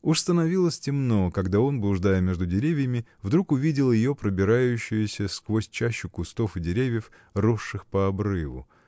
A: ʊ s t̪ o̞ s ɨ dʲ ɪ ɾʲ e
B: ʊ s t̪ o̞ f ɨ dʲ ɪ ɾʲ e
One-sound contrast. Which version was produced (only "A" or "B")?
B